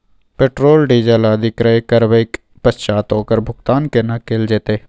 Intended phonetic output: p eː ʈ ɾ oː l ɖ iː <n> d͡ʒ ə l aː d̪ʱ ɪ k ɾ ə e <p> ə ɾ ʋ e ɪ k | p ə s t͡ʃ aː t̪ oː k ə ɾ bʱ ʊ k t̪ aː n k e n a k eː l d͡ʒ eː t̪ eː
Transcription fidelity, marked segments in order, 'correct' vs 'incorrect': incorrect, incorrect

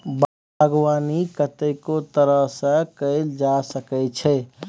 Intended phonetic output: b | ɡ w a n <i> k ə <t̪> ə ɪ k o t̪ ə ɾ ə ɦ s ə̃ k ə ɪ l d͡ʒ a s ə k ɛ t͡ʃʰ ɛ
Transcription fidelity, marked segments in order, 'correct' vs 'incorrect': correct, correct

